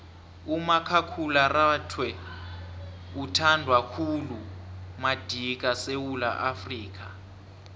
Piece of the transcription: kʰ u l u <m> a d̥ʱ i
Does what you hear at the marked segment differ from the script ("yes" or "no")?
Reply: no